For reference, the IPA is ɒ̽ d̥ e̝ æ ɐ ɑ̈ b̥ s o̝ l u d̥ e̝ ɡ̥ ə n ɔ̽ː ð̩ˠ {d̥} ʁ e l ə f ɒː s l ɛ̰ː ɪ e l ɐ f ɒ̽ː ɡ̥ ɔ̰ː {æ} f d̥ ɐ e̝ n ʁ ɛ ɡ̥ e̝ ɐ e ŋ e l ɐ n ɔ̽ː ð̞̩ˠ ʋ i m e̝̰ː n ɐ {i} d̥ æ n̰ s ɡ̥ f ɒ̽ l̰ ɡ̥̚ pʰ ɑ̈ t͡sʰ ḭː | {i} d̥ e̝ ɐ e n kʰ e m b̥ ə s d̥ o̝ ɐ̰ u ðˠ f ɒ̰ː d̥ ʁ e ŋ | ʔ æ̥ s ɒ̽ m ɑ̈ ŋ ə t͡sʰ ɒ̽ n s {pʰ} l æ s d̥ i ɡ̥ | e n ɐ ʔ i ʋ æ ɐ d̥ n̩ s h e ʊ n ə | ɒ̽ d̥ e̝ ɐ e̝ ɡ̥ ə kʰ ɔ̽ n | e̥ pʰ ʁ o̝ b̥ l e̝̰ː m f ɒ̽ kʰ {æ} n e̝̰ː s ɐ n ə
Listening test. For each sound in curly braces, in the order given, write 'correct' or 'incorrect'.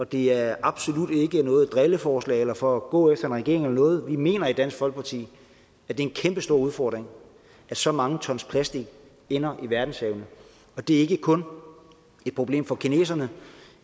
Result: correct, incorrect: e, correct, incorrect: æ, correct, incorrect: i

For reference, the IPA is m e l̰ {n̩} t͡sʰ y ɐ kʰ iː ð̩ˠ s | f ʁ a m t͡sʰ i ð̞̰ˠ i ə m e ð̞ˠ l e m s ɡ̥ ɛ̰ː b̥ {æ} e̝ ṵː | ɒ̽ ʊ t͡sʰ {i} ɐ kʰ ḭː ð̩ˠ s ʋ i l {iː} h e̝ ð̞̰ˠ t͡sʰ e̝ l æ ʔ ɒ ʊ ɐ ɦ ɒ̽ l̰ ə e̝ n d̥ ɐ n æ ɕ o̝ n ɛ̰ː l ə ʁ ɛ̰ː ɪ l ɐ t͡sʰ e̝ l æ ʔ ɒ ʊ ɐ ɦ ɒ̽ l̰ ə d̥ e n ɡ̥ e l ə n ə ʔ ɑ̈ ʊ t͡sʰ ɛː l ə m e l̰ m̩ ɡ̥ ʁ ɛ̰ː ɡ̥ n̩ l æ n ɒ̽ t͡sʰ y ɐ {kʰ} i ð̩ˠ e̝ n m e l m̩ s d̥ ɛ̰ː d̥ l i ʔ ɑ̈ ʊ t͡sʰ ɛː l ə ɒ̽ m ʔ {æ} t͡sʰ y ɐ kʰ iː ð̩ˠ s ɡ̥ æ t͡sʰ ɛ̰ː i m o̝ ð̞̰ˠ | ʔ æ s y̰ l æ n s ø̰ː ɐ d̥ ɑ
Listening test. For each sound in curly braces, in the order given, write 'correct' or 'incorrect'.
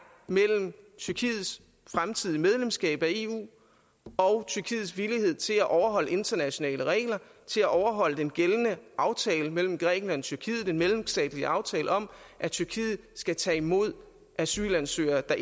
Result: incorrect: m̩, correct, incorrect: y, incorrect: i, correct, correct

